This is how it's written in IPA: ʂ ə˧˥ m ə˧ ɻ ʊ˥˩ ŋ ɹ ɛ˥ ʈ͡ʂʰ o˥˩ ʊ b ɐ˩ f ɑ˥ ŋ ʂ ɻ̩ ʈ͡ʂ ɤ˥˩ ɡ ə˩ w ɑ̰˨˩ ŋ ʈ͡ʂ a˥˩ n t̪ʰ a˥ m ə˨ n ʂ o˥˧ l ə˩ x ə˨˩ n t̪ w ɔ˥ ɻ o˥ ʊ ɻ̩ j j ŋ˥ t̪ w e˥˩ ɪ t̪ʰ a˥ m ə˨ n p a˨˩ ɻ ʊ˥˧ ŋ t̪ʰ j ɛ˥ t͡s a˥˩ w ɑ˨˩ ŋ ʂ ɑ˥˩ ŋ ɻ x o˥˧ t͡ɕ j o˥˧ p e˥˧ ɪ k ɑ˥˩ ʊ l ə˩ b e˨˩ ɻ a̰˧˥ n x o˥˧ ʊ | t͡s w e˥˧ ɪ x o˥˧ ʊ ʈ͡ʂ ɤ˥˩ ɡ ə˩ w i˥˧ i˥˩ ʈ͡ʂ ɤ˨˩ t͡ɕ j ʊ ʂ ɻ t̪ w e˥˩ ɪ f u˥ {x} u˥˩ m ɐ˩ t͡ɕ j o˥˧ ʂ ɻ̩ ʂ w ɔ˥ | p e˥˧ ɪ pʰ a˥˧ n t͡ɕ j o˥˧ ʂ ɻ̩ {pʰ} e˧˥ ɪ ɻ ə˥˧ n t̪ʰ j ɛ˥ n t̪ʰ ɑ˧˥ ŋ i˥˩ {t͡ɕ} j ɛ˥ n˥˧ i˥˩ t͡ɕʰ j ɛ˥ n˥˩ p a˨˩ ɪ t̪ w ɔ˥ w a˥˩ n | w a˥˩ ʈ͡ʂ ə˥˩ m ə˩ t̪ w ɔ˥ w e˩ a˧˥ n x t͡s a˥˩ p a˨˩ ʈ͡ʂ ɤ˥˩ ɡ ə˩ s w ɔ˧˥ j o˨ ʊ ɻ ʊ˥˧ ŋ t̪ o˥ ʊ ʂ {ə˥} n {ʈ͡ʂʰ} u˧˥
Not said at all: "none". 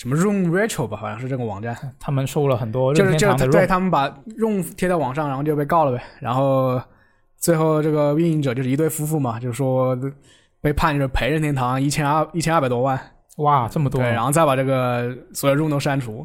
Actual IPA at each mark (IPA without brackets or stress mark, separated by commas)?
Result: f, pʰ, t͡ɕʰ, a˥, ʈ͡ʂʰ